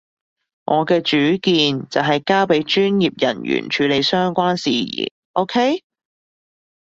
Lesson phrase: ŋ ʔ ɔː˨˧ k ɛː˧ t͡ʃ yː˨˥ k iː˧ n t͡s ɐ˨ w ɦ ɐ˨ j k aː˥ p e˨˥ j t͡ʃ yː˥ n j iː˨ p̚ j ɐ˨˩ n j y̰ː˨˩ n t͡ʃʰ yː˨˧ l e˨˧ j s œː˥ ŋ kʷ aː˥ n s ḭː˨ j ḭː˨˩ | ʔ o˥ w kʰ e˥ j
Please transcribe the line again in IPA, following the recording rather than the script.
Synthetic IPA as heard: ŋ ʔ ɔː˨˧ k ɛː˧ t͡ʃ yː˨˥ k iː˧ n t͡s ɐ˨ w ɦ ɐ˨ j k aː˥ p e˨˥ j t͡ʃ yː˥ n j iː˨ p̚ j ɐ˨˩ n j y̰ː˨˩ n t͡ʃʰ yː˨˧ l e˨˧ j s œː˥ ŋ kʷ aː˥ n s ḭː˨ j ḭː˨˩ | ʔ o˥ w kʰ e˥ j